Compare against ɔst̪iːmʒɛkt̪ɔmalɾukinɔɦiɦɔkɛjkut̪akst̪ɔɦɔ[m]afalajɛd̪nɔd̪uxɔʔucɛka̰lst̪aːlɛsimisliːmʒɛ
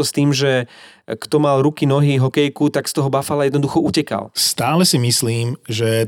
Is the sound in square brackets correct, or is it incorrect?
incorrect